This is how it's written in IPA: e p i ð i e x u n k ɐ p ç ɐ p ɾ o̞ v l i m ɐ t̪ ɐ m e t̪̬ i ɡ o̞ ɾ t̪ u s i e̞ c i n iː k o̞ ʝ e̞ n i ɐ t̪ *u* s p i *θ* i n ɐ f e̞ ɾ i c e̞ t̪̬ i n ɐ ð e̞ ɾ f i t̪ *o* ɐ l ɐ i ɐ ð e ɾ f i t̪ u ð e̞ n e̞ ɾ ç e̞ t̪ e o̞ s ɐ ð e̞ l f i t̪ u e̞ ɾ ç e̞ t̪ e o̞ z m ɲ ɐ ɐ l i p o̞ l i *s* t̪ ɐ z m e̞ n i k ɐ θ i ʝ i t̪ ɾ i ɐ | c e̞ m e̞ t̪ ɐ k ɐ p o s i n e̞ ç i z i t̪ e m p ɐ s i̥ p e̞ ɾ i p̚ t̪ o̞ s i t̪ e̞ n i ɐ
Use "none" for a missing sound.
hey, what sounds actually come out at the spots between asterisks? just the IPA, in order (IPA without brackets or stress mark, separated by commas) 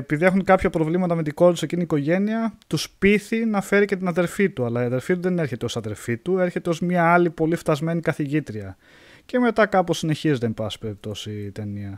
u, θ, u, f